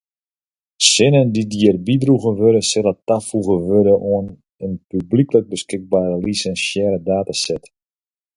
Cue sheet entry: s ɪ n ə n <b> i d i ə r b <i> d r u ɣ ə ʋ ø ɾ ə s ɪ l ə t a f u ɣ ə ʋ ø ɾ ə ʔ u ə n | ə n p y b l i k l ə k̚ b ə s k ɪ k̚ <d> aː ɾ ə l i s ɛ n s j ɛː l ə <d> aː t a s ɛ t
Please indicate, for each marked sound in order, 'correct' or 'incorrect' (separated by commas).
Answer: incorrect, correct, incorrect, correct